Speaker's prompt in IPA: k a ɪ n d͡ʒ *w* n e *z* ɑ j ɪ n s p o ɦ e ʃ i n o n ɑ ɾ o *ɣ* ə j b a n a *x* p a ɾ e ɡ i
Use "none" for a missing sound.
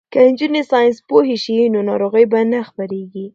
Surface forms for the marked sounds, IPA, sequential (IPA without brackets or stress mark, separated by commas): u, s, ɣ, x